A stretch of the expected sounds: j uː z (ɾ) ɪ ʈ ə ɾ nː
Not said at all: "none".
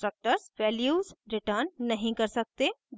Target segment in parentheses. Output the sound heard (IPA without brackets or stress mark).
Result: ɾ